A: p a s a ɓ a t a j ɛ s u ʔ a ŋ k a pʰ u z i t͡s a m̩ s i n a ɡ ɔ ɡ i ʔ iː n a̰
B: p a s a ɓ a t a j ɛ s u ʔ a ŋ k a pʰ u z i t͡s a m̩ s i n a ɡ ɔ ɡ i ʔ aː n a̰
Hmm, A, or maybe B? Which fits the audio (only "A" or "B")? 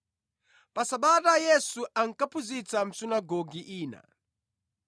A